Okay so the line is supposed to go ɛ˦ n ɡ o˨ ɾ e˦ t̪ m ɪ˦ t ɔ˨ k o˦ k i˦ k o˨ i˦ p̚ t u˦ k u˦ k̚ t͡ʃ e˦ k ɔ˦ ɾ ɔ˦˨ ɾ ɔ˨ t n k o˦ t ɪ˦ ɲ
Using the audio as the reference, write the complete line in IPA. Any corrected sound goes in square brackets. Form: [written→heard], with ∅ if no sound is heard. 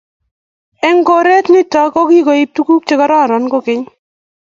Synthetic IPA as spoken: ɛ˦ [n→ŋ] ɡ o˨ ɾ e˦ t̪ [m→n] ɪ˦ t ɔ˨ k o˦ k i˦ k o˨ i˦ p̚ t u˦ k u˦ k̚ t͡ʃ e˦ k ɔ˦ ɾ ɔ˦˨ ɾ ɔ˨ [t→∅] n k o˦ [t→k] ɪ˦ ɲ